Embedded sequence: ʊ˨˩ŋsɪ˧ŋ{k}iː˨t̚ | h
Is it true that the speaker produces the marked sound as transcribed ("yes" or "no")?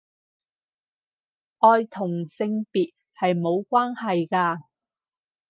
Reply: no